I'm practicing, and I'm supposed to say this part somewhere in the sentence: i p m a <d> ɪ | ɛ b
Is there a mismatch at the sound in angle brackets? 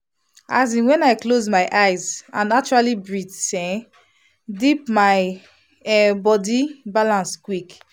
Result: yes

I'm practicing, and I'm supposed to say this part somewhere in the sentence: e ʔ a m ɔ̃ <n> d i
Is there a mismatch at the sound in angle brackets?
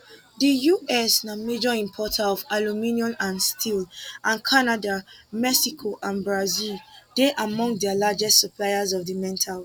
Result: yes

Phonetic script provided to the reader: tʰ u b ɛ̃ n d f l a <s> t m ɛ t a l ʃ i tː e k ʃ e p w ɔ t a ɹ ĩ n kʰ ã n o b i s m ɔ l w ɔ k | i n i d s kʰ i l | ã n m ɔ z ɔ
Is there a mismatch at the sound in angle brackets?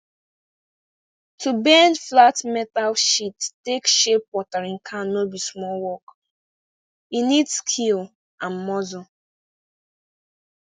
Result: yes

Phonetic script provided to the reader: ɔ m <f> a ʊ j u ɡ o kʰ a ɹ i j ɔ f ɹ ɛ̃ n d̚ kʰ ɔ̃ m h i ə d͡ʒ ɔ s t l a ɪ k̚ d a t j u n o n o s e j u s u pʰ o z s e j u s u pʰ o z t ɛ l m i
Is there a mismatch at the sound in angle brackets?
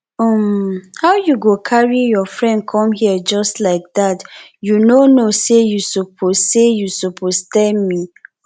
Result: yes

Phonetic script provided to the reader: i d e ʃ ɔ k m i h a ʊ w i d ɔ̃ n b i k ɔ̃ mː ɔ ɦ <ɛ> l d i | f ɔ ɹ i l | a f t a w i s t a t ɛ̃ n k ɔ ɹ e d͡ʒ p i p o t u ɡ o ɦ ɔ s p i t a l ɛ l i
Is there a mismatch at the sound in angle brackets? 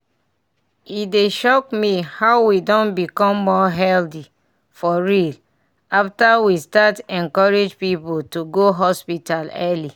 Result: no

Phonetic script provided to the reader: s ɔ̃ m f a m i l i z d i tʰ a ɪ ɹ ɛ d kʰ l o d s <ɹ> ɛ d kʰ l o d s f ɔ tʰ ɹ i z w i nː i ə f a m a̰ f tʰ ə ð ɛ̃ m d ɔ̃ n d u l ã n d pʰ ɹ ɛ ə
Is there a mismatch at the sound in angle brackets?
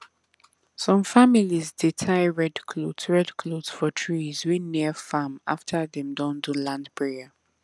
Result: no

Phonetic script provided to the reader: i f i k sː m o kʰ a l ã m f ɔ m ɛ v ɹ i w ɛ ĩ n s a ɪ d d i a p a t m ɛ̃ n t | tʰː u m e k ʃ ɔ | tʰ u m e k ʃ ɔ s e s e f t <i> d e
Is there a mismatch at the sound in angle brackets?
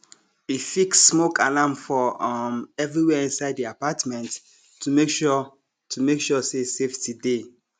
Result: no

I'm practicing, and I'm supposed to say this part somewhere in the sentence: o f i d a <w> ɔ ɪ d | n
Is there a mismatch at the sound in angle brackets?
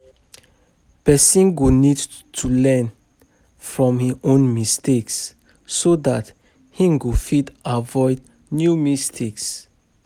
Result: yes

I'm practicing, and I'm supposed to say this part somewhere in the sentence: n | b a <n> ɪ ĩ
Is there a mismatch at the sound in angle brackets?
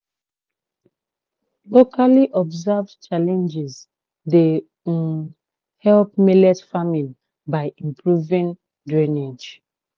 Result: yes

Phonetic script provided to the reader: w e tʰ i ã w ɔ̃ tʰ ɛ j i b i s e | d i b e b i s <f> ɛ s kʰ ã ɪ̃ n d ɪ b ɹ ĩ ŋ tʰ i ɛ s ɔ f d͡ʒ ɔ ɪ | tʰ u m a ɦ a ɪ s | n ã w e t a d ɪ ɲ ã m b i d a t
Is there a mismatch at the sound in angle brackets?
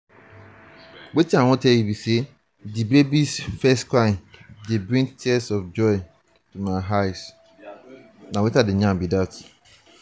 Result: no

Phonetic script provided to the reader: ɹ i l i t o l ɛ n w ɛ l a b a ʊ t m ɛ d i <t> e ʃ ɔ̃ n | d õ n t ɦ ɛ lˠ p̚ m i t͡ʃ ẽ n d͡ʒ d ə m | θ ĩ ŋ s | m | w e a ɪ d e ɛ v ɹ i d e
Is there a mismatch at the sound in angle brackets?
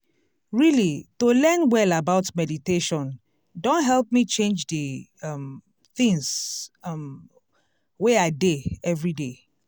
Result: no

